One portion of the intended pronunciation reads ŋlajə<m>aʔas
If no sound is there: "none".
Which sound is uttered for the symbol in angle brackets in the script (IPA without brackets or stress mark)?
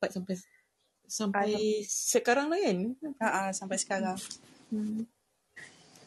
n